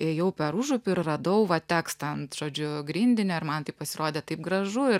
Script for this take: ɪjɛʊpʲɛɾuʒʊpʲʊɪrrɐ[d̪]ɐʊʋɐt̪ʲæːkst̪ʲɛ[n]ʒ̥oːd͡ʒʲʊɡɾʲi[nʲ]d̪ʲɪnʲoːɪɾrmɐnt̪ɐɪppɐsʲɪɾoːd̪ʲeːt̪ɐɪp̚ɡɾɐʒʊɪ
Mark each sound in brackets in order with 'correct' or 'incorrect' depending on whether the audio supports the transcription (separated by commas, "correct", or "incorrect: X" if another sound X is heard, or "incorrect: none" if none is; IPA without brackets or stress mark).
correct, correct, correct